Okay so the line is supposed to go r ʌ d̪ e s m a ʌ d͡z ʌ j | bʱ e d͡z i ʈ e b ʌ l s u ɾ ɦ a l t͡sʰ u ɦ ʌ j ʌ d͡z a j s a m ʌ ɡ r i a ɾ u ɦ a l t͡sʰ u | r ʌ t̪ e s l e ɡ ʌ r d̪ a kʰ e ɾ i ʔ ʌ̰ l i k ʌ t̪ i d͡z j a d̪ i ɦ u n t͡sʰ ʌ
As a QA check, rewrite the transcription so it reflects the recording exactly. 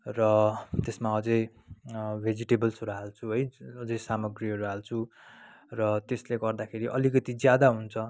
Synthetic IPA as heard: r ʌ t̪ e s m a ʌ d͡z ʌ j | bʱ e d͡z i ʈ e b ʌ l s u ɾ ɦ a l t͡sʰ u ɦ ʌ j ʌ d͡z ʌ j s a m ʌ ɡ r i ʌ ɾ u ɦ a l t͡sʰ u | r ʌ t̪ e s l e ɡ ʌ r d̪ a kʰ e ɾ i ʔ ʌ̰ l i k ʌ t̪ i d͡z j a d̪ a ɦ u n t͡sʰ ʌ